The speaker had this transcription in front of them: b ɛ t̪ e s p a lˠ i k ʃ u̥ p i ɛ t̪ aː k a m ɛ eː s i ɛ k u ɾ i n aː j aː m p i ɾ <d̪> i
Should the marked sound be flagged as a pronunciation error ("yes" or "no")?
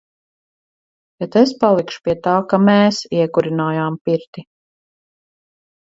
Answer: yes